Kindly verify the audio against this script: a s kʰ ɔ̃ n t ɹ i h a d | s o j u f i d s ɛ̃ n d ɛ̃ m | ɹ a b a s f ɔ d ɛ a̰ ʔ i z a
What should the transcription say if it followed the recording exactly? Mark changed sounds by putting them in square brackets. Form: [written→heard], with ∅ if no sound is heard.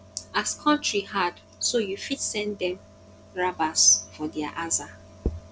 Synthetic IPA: a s kʰ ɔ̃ n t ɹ i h a d | s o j u f i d s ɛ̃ n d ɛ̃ m | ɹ a b a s f ɔ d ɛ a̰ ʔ [i→a] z a